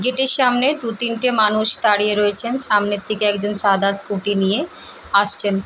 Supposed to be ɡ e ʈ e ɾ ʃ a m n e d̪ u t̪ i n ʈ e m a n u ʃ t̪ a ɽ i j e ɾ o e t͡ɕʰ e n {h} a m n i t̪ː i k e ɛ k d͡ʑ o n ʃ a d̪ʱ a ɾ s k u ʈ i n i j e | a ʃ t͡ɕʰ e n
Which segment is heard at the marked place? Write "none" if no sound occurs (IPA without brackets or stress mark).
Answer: ʃ